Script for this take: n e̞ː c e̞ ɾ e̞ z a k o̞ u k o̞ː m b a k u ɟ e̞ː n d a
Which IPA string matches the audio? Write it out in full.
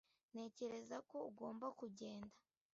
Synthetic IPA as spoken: n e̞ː c e̞ ɾ e̞ z a k o̞ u ɡ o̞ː m b a k u ɟ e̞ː n d a